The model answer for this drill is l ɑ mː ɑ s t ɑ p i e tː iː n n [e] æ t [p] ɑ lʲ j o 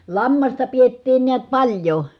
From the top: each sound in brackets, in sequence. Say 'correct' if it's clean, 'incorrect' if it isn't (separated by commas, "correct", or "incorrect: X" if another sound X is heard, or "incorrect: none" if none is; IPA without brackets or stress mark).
incorrect: i, correct